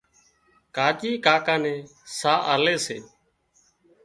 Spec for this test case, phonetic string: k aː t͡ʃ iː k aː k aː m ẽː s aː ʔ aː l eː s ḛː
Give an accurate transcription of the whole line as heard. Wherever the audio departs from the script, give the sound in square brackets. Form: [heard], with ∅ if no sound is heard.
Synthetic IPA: k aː t͡ʃ iː k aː k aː [n] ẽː s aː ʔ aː l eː s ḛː